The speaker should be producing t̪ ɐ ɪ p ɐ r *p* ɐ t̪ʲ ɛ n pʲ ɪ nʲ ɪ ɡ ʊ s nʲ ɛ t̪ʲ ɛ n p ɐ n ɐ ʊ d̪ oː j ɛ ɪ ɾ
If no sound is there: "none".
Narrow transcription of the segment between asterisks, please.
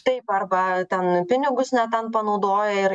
b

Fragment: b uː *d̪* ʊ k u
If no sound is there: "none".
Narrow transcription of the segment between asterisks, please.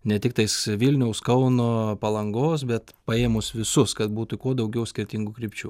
t̪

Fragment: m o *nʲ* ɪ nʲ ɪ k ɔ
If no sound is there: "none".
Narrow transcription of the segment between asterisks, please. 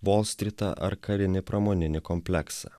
nʲ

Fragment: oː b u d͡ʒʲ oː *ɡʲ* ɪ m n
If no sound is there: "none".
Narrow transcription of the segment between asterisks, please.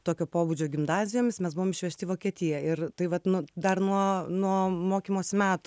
ɡʲ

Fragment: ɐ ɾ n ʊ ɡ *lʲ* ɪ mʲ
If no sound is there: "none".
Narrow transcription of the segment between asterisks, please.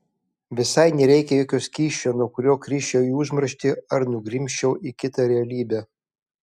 ɾʲ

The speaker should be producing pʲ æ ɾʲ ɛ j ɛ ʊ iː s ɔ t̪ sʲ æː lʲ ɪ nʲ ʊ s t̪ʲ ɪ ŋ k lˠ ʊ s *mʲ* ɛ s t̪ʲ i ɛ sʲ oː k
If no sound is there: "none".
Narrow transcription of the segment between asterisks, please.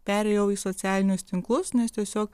nʲ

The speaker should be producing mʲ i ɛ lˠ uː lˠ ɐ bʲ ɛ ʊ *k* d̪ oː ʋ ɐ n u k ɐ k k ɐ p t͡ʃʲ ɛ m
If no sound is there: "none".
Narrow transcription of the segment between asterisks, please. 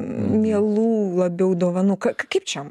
none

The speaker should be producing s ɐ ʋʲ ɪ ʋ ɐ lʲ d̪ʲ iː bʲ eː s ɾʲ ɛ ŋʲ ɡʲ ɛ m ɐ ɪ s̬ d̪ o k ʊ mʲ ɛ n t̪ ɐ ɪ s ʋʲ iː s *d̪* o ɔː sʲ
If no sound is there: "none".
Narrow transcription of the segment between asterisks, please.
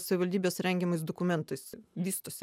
t̪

